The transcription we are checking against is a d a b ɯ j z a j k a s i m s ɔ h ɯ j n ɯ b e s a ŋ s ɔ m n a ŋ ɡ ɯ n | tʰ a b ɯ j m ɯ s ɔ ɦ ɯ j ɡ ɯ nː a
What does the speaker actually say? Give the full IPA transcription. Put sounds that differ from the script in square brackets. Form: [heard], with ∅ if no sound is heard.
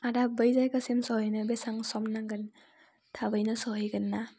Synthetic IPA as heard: a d a b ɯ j z a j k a s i m s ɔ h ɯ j n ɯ b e s a ŋ s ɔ m n a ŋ ɡ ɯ n | tʰ a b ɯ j [n] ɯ s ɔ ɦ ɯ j ɡ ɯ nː a